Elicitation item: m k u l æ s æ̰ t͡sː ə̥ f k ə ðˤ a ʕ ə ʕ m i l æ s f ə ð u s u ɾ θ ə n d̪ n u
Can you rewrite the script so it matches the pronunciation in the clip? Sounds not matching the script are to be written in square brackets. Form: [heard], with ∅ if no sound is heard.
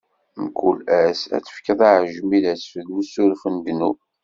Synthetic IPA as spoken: m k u l æ s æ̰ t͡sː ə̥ f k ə ðˤ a ʕ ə [ʒ] m i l æ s f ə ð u s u ɾ [f] ə n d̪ n u